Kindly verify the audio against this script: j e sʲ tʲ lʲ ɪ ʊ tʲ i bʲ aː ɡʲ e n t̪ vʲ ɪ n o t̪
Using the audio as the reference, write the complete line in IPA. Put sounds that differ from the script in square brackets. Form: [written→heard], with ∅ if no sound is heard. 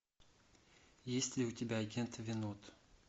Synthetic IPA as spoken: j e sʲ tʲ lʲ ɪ ʊ tʲ [i→ɪ] bʲ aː ɡʲ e n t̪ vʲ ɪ n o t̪